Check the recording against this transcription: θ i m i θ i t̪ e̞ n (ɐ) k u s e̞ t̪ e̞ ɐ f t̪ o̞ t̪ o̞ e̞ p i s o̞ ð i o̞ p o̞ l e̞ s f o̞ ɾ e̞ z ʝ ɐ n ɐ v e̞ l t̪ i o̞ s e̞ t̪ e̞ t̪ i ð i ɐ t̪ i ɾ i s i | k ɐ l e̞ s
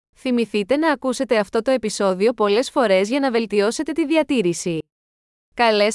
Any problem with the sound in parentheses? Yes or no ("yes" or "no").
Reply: yes